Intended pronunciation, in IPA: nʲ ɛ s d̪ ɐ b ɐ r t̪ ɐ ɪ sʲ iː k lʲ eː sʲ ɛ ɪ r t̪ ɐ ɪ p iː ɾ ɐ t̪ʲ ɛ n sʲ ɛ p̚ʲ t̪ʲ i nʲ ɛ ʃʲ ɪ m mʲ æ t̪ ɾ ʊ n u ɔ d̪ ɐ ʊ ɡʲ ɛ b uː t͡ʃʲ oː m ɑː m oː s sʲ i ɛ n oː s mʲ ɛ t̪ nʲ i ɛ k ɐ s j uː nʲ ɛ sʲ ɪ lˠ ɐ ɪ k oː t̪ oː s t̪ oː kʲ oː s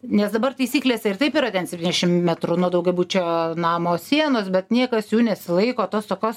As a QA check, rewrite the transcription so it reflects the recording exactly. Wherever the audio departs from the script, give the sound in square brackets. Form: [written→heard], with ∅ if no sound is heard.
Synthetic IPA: nʲ ɛ s d̪ ɐ b ɐ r t̪ ɐ ɪ sʲ iː k lʲ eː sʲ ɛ ɪ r t̪ ɐ ɪ p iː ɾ ɐ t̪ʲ ɛ n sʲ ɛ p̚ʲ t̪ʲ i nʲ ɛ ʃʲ ɪ m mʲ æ t̪ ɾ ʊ n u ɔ d̪ ɐ ʊ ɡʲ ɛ b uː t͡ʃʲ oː [m→n] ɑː m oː s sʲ i ɛ n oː s [mʲ→bʲ] ɛ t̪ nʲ i ɛ k ɐ s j uː nʲ ɛ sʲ ɪ lˠ ɐ ɪ k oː t̪ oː s t̪ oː kʲ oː s